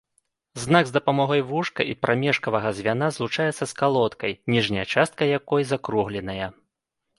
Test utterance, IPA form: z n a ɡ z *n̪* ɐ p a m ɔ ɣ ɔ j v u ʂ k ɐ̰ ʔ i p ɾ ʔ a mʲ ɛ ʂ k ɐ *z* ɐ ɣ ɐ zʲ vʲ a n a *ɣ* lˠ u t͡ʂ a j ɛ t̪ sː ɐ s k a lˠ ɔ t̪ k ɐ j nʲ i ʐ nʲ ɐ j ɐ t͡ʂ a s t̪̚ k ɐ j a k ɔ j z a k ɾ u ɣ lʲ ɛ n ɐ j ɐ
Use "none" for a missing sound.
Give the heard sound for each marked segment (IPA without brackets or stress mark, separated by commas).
d̪, v, z